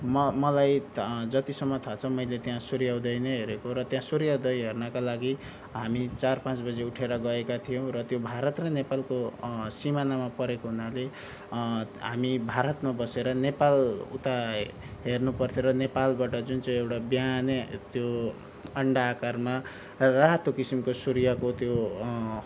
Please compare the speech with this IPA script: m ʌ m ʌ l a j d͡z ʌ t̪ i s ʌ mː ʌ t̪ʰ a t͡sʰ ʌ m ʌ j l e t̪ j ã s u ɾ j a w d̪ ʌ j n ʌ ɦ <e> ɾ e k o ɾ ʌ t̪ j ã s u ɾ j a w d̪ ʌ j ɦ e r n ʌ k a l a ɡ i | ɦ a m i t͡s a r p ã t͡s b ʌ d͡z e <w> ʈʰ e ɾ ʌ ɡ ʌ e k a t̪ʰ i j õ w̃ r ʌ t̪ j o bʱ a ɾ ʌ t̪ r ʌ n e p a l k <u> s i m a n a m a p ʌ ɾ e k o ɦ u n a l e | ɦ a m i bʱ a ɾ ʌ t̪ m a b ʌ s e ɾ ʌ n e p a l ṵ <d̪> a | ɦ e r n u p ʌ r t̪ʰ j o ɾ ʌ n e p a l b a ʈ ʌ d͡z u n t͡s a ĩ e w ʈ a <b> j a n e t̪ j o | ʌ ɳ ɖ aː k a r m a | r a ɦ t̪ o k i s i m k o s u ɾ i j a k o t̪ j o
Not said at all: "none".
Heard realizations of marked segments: e, u, o, t̪, b

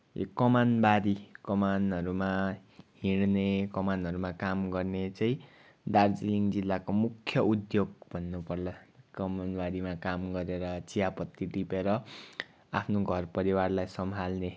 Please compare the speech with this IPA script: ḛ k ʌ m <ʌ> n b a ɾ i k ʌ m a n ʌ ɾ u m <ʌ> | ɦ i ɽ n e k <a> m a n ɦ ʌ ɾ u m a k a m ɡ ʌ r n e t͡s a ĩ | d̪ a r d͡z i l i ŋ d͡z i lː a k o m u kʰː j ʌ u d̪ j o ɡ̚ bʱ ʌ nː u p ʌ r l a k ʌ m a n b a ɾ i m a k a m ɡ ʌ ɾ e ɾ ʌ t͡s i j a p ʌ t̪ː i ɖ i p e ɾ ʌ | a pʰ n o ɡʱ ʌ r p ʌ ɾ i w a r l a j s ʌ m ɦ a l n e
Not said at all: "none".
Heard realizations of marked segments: a, a, ʌ

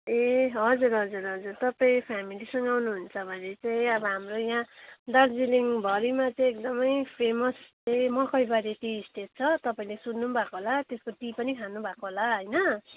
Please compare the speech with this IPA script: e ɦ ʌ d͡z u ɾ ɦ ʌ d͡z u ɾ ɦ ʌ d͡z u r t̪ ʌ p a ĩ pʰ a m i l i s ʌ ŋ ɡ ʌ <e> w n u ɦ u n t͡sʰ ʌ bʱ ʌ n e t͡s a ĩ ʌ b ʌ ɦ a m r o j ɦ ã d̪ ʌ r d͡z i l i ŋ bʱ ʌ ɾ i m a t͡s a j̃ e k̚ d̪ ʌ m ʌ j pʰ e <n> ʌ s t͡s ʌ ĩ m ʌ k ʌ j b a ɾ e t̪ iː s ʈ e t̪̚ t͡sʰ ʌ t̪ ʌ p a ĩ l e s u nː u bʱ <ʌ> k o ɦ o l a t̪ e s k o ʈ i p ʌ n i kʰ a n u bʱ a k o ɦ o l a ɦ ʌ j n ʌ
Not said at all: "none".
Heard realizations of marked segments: a, m, a

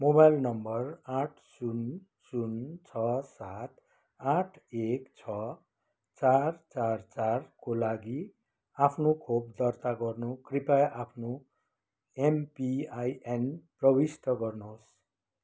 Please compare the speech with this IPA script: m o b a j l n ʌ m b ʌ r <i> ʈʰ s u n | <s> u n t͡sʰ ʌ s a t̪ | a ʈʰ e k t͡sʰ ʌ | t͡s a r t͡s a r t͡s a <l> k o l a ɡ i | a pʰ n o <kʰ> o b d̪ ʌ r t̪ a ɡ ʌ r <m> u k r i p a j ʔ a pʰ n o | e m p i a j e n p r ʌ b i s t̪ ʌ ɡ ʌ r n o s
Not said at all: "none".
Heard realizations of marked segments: a, s, r, kʰ, n

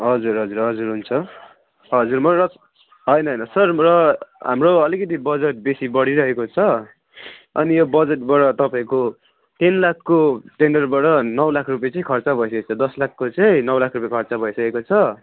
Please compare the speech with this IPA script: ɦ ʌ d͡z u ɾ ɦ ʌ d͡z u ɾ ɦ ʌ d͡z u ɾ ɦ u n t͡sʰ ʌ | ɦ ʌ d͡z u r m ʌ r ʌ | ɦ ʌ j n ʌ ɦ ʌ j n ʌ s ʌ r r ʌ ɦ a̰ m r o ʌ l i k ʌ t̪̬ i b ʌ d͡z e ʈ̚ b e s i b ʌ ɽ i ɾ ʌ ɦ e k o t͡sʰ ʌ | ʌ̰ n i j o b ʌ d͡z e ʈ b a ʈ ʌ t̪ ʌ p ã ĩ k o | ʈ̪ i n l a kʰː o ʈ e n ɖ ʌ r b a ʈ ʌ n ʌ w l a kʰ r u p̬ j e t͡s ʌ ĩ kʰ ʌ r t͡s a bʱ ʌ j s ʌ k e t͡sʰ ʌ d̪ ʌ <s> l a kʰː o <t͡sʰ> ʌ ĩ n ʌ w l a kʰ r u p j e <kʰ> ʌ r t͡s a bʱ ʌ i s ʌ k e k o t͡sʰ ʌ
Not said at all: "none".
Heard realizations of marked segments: s, t͡s, kʰ

